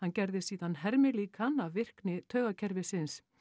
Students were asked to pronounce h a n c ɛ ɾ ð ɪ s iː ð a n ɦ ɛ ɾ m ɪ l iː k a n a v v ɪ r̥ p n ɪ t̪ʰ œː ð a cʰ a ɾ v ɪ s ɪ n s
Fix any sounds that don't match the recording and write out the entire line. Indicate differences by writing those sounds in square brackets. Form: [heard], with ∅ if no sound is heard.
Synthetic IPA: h a n c ɛ ɾ ð ɪ s iː ð a n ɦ ɛ ɾ m ɪ l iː k a n a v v ɪ r̥ [k] n ɪ t̪ʰ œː [ɣ] a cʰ [ɛ] ɾ v ɪ s ɪ n s